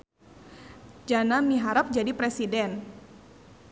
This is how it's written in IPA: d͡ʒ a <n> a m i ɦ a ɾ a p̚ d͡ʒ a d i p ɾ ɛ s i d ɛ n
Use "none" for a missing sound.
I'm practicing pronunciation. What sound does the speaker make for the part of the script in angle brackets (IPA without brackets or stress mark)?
n